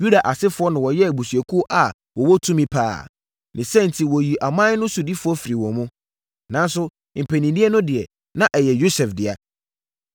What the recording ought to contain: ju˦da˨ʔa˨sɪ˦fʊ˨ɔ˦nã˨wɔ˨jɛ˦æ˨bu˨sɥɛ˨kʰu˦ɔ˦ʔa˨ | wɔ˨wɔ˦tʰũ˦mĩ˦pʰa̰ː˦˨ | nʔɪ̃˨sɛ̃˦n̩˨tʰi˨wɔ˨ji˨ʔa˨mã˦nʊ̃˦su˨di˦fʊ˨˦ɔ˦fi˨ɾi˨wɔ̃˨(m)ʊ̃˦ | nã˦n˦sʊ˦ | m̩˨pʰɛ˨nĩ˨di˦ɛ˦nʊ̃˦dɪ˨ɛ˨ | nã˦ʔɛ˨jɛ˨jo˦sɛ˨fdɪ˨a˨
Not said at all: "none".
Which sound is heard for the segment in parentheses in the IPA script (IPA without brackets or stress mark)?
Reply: m